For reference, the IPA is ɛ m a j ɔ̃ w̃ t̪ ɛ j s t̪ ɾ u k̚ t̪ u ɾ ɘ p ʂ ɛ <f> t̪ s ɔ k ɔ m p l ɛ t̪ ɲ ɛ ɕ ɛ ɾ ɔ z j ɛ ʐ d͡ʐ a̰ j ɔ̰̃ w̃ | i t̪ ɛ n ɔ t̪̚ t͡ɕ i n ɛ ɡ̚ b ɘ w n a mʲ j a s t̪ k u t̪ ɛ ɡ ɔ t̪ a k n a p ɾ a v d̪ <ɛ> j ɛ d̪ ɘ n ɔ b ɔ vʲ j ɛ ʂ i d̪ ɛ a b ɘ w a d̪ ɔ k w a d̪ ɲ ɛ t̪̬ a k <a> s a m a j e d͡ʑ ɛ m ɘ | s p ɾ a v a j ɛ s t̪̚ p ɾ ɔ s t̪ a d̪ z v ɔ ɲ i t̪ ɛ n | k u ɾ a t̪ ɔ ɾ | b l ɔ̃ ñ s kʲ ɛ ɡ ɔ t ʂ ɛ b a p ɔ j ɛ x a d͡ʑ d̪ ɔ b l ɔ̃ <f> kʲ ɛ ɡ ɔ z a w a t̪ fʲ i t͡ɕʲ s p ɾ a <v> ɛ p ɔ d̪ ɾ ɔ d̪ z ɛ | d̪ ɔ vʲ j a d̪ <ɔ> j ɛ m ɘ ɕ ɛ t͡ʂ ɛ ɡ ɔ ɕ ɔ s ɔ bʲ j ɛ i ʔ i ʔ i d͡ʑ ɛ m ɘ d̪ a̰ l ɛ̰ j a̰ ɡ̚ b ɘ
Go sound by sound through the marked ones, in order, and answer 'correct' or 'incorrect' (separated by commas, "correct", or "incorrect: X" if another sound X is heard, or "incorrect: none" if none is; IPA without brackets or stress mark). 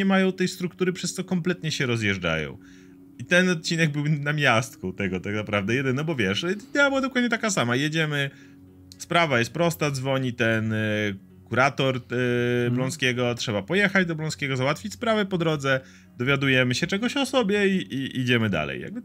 incorrect: s, correct, correct, incorrect: s, correct, incorrect: u